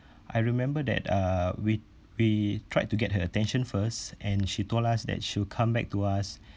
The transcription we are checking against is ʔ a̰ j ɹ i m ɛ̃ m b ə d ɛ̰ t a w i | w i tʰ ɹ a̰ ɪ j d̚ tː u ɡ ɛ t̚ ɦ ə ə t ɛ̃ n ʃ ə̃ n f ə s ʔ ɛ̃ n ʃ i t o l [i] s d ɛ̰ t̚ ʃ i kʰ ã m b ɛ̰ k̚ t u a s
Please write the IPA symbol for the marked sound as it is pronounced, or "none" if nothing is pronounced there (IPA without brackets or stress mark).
a